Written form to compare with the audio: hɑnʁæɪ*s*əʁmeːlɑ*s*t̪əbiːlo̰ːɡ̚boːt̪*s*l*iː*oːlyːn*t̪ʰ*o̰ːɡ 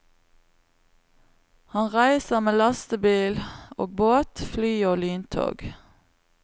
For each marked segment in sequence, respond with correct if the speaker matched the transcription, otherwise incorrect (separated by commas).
correct, correct, incorrect, incorrect, correct